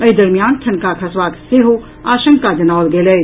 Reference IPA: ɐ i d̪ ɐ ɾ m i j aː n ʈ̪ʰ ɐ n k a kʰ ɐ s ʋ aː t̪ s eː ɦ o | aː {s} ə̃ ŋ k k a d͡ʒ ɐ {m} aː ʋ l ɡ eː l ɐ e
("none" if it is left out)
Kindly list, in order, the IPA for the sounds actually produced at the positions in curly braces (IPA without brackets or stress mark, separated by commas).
ʃ, n